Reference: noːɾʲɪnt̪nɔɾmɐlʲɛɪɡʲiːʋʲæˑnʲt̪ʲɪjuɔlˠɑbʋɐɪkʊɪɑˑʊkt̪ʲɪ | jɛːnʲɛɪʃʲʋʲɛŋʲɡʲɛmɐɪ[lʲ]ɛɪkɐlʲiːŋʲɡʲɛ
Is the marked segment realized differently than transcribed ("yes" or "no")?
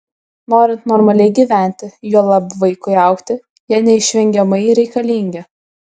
yes